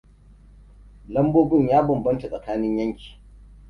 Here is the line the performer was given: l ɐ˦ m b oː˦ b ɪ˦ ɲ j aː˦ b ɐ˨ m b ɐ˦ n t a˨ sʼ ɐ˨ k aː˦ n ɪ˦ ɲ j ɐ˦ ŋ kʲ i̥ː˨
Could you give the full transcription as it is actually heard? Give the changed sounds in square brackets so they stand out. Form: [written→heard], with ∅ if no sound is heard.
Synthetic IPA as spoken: l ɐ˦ m b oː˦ b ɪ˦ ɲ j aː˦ b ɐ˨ m b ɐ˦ n t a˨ sʼ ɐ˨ k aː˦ n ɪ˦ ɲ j ɐ˦ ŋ kʲ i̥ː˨